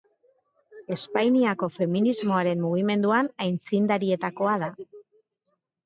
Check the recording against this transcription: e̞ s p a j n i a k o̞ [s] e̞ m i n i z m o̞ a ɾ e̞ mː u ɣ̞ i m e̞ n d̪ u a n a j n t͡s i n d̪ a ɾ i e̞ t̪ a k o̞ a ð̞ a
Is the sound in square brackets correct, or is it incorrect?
incorrect